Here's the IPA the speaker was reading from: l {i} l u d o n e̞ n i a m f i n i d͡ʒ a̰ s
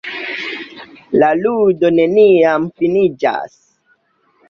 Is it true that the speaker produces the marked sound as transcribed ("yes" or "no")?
no